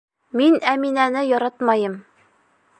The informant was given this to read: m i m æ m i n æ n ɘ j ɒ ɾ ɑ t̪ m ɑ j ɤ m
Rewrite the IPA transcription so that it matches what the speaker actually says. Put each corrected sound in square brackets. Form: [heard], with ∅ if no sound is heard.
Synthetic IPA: m i [n] æ m i n æ n ɘ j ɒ ɾ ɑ t̪ m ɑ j ɤ m

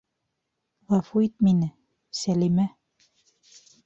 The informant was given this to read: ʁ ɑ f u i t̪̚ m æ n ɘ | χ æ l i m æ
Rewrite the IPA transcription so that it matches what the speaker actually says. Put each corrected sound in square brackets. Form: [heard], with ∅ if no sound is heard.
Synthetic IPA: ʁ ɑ f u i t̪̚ m [i] n ɘ | [s] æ l i m æ

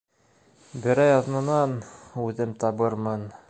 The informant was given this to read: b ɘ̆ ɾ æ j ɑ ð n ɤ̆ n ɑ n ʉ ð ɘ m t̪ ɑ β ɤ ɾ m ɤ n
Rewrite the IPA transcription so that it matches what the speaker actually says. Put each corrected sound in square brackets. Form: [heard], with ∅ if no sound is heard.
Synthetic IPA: b ɘ̆ ɾ æ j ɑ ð n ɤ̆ n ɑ n ʉ ð ɘ m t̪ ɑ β ɤ ɾ m ɤ n

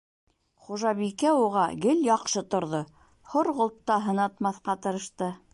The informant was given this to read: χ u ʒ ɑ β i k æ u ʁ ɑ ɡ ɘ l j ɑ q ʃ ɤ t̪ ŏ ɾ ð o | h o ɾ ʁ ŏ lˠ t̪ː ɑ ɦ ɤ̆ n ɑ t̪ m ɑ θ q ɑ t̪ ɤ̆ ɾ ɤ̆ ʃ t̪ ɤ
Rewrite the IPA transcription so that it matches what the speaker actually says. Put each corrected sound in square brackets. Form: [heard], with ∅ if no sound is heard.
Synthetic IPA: χ u ʒ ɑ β i k æ u ʁ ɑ ɡ ɘ l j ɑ q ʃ ɤ t̪ ŏ ɾ ð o | h o ɾ ʁ ŏ lˠ t̪ː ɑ ɦ ɤ̆ n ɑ t̪ m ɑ θ q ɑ t̪ ɤ̆ ɾ ɤ̆ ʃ t̪ ɤ

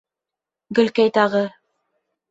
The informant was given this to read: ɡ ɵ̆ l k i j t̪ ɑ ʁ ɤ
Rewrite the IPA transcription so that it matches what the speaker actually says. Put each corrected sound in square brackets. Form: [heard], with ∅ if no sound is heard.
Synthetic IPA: ɡ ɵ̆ l k [æ] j t̪ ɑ ʁ ɤ

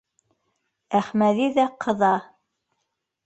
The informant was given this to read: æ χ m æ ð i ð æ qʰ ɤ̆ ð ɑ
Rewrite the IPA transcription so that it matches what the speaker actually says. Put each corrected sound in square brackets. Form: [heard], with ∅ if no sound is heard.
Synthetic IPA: æ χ m æ ð i ð æ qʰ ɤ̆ ð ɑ

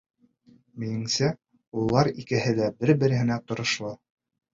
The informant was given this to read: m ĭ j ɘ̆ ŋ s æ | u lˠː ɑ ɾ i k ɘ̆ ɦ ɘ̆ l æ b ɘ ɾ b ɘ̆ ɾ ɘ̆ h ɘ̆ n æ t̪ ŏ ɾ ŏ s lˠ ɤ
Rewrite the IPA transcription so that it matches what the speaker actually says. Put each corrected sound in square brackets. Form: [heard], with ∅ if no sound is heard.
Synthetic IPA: m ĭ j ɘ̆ ŋ s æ | u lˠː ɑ ɾ i k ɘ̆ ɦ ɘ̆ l æ b ɘ ɾ b ɘ̆ ɾ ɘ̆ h ɘ̆ n æ t̪ ŏ ɾ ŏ [ʃ] lˠ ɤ

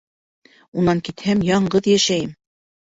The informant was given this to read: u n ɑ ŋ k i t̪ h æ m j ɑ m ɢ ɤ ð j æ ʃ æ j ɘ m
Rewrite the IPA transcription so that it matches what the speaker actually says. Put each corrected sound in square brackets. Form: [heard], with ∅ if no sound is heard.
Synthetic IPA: u n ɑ ŋ k i t̪ h æ m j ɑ [ɴ] ɢ ɤ ð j æ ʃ æ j ɘ m

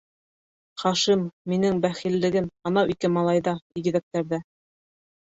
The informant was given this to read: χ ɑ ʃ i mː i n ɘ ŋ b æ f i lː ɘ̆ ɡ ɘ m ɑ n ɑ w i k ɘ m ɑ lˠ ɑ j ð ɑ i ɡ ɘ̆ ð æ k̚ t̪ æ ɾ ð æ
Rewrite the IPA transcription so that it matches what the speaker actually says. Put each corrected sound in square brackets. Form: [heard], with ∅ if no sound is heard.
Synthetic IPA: χ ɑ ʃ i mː i n ɘ ŋ b æ [χ] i lː ɘ̆ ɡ ɘ m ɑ n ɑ w i k ɘ m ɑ lˠ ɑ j ð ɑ i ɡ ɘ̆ ð æ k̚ t̪ æ ɾ ð æ

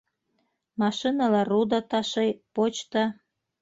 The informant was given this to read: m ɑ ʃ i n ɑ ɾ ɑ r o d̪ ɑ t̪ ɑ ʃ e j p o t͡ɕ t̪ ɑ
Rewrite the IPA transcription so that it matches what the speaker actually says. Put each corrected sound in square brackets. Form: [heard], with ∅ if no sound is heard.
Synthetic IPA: m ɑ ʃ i n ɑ [l] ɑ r [u] d̪ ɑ t̪ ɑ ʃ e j p o t͡ɕ t̪ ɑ

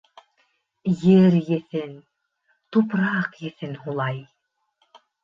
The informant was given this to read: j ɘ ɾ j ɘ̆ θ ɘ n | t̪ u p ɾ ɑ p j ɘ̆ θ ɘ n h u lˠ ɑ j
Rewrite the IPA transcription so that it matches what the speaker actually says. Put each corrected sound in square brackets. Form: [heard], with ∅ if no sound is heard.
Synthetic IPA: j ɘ ɾ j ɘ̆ θ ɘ n | t̪ u p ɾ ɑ [q] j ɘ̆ θ ɘ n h u lˠ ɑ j

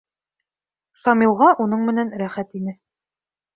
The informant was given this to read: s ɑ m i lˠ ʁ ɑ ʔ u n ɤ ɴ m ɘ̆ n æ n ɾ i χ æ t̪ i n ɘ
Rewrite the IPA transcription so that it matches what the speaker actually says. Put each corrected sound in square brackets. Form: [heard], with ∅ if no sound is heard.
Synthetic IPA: s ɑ m i lˠ ʁ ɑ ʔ u n ɤ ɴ m ɘ̆ n æ n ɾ [æ] χ æ t̪ i n ɘ

